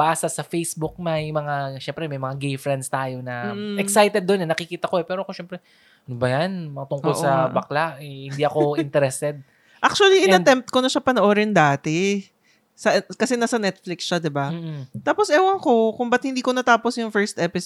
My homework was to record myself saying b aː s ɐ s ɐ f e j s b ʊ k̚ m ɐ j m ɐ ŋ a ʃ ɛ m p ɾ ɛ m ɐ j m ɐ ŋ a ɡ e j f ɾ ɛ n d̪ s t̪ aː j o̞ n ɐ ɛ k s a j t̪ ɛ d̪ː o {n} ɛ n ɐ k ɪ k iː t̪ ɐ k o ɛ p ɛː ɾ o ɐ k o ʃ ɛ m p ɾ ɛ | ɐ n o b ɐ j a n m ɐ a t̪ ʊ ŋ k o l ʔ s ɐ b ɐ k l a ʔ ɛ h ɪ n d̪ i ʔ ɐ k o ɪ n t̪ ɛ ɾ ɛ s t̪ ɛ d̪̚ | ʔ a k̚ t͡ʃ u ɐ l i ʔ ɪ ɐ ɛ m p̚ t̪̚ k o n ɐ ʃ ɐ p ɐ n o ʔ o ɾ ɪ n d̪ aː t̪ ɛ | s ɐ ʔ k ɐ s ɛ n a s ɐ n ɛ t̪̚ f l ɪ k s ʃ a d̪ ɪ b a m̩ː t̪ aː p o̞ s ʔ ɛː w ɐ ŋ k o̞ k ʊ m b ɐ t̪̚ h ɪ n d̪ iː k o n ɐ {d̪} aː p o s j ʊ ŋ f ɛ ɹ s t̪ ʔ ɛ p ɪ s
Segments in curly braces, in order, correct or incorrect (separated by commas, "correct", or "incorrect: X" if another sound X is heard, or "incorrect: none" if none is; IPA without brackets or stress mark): correct, incorrect: t̪